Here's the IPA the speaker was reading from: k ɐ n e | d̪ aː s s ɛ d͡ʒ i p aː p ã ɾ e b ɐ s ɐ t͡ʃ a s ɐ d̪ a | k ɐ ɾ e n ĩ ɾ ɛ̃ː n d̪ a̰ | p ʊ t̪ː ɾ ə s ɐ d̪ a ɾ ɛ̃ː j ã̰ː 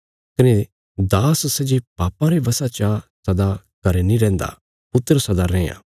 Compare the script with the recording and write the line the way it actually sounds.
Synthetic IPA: k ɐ n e | d̪ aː s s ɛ d͡ʒ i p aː p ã ɾ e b ɐ s a t͡ʃ a s ɐ d̪ a | k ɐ ɾ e n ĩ ɾ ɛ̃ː n d̪ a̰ | p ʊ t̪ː ɾ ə s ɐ d̪ a ɾ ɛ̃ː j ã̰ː

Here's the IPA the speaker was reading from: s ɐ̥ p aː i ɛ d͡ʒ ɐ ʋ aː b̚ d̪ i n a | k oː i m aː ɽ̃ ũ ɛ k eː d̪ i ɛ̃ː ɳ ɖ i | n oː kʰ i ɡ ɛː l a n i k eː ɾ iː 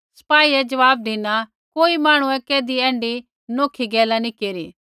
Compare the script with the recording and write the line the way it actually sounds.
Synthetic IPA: s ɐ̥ p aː i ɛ d͡ʒ ɐ ʋ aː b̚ d̪ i n a | k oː i m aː ɽ̃ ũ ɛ k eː d̪ i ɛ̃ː ɳ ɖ i | n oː kʰ i ɡ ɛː l a n i k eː ɾ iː

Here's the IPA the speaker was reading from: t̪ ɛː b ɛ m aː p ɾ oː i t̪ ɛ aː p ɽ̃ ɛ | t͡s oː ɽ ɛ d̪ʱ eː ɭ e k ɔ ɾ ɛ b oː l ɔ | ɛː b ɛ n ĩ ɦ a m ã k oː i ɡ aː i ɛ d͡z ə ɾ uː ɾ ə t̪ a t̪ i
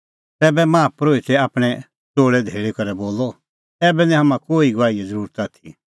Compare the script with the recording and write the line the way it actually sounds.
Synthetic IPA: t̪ ɛː b ɛ m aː p ɾ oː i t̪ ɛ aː p ɽ̃ ɛ | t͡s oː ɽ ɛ d̪ʱ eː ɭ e k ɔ ɾ ɛ b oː l ɔ | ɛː b ɛ n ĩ ɦ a m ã k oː i ɡ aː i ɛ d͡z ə ɾ uː ɾ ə t̪ a t̪ʰ i

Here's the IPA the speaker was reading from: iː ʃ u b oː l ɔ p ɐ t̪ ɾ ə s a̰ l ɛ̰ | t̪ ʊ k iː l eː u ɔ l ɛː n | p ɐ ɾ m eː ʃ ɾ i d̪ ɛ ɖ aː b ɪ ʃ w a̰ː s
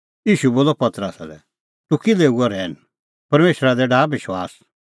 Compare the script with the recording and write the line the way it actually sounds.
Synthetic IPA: iː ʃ u b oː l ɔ p ɐ t̪ ɾ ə s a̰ l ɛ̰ | t̪ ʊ k i l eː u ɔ ɾ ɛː n | p ɐ ɾ m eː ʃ ɾ a d̪ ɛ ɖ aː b ɪ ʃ w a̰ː s

